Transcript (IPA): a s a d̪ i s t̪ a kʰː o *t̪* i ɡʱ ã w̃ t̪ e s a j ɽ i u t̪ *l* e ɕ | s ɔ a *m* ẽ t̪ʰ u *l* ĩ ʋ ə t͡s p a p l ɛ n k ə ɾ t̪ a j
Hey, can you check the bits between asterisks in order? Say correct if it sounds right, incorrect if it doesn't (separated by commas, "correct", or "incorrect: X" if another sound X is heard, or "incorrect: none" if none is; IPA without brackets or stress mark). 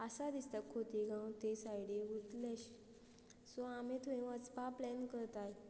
correct, correct, correct, incorrect: none